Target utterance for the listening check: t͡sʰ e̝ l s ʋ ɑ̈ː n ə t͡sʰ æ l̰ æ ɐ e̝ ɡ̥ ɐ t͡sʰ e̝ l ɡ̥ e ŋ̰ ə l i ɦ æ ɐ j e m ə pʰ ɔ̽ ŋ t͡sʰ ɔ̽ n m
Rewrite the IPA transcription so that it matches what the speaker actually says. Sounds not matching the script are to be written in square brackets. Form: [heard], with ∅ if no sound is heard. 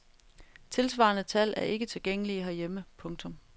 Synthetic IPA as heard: t͡sʰ e̝ l s ʋ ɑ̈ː n ə t͡sʰ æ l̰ æ ɐ e̝ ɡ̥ [ə] t͡sʰ e̝ l ɡ̥ e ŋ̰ ə l i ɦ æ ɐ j e m ə pʰ ɔ̽ ŋ t͡sʰ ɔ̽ [∅] m